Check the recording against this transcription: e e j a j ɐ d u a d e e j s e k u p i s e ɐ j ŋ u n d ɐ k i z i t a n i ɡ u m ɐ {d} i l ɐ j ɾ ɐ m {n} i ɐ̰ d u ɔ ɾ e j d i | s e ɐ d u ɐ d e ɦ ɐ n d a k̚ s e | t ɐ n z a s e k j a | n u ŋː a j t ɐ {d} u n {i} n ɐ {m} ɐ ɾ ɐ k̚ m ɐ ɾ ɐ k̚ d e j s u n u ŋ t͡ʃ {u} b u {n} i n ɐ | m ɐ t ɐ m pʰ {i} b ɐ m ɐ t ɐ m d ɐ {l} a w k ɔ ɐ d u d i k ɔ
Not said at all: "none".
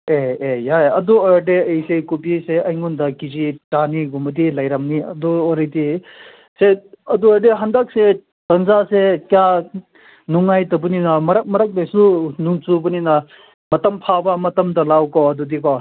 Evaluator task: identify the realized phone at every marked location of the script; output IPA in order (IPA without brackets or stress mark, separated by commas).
d, n, b, i, m, u, n, a, l